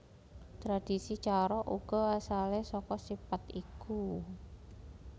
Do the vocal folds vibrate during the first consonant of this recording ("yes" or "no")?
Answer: no